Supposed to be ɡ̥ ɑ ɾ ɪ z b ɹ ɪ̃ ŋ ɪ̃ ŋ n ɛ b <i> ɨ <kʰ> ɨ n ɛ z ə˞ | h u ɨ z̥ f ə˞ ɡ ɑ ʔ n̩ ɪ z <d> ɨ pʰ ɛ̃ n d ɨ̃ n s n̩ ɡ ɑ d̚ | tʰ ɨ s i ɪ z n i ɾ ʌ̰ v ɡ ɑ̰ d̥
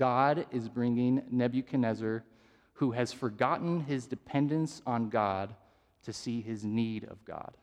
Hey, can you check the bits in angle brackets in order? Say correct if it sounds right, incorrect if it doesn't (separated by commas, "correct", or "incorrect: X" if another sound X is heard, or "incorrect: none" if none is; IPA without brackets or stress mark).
incorrect: j, correct, correct